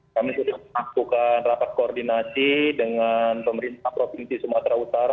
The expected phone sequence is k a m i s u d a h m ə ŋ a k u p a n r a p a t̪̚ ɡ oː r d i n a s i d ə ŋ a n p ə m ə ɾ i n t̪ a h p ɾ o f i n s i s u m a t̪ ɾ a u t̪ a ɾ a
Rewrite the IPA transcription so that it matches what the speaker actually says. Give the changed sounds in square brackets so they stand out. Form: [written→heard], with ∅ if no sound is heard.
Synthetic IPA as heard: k a m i s u d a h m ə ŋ a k u [p→k] a n r a p a t̪̚ [ɡ→k] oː r d i n a s i d ə ŋ a n p ə m ə ɾ i n t̪ a h p ɾ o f i n s i s u m a t̪ ɾ a u t̪ a ɾ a